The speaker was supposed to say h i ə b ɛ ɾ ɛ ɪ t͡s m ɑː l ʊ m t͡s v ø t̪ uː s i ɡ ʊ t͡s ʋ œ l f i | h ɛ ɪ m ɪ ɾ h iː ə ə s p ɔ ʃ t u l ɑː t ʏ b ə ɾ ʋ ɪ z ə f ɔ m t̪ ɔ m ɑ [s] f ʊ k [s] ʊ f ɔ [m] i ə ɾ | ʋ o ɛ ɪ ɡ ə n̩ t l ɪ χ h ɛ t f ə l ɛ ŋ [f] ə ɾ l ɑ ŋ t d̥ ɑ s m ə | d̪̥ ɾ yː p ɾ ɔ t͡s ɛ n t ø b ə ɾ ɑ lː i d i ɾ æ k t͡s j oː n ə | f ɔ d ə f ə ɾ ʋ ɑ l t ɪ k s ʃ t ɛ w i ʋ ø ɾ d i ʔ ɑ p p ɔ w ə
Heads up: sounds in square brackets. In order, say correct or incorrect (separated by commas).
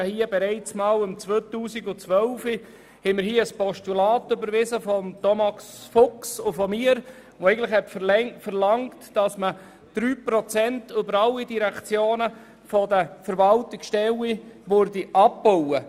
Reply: correct, correct, correct, correct